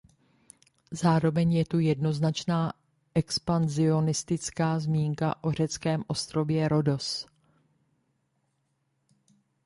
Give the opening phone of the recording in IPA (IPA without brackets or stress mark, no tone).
z